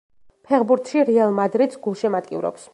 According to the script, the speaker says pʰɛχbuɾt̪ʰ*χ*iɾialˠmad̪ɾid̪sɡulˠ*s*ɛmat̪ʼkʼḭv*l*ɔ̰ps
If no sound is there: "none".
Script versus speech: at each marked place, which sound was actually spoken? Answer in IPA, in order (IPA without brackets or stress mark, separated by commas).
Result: ʃ, ʃ, ɾ